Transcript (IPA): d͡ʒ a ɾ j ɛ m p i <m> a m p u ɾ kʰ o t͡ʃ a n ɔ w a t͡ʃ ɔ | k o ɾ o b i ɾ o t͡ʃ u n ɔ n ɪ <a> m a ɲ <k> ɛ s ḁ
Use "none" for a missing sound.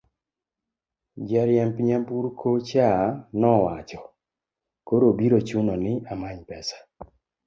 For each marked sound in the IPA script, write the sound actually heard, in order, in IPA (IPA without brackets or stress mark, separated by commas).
ɲ, a, p